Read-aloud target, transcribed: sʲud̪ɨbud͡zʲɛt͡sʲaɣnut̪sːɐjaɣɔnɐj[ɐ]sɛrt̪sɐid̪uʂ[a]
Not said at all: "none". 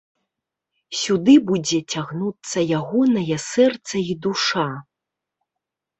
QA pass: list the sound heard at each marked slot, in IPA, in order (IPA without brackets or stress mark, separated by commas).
ɐ, a